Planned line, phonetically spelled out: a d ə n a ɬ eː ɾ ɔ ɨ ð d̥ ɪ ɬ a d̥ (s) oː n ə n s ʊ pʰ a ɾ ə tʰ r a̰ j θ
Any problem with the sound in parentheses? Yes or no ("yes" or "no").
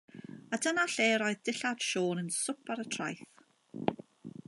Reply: yes